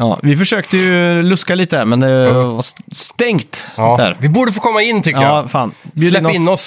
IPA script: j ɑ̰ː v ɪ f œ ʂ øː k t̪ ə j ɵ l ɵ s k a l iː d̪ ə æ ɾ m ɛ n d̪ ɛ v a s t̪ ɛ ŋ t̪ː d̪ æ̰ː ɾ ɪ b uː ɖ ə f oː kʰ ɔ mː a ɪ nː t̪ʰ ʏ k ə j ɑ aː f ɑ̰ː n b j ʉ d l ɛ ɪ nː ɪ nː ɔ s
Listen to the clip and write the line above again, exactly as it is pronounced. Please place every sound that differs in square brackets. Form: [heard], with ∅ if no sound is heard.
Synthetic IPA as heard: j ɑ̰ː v ɪ f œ ʂ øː k t̪ ə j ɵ l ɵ s k a l iː [t̪] ə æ ɾ m ɛ n d̪ ɛ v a s t̪ ɛ ŋ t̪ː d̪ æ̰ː ɾ ɪ b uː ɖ ə f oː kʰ ɔ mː a ɪ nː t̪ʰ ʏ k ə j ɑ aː f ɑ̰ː n b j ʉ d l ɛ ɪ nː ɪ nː ɔ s